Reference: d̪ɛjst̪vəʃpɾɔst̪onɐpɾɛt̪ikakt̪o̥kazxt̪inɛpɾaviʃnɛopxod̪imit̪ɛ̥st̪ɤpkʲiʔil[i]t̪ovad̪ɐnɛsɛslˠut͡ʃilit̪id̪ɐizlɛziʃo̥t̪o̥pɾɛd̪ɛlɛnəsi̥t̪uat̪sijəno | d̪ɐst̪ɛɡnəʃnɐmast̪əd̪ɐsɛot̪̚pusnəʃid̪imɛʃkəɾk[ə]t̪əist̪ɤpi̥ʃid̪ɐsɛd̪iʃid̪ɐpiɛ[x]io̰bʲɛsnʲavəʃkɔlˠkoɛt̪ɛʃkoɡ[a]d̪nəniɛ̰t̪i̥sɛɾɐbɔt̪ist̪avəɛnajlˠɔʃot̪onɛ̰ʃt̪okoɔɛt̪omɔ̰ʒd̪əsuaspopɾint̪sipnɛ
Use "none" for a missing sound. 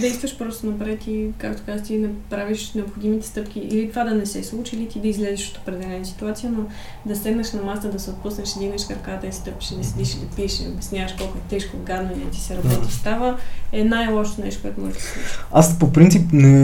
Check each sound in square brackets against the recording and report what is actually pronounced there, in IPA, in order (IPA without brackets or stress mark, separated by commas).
i, a, ʃ, a